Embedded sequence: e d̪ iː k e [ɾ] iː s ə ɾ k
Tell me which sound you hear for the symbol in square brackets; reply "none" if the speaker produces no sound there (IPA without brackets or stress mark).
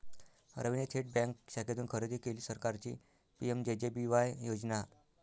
l